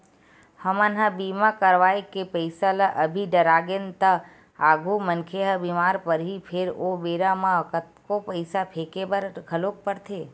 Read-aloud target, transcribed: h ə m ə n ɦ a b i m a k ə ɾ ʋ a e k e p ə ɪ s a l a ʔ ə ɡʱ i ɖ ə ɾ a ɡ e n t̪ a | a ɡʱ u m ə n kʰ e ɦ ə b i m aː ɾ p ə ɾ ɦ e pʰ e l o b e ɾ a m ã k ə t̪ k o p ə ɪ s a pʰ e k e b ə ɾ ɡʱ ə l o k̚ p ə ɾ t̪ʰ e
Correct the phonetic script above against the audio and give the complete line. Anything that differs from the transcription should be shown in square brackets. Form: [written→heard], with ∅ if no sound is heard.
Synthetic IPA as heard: h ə m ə n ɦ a b i m a k ə ɾ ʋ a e k e p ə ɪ s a l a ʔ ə [ɡʱ→bʱ] i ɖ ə ɾ a ɡ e n t̪ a | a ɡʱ u m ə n kʰ e ɦ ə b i m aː ɾ p ə ɾ ɦ [e→i] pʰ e [l→ɾ] o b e ɾ a m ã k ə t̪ k o p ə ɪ s a pʰ e k e b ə ɾ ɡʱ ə l o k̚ p ə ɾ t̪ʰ e